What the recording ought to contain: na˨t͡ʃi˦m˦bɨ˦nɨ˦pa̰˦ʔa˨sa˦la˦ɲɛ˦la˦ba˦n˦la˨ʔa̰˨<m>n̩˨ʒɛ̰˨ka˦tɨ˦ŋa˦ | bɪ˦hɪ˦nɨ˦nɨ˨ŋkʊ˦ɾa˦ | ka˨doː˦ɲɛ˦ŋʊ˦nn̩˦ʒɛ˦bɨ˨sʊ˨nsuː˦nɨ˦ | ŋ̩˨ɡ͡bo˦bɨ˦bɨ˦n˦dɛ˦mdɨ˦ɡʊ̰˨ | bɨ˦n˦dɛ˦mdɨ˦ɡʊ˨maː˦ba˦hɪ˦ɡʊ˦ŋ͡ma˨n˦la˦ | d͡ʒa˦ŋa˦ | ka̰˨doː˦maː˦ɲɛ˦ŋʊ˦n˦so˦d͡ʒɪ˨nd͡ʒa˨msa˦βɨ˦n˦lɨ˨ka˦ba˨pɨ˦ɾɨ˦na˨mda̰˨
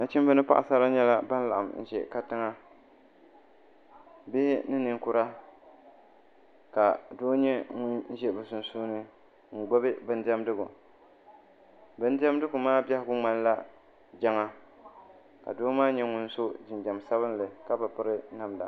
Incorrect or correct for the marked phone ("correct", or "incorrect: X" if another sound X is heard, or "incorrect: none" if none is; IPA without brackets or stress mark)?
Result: correct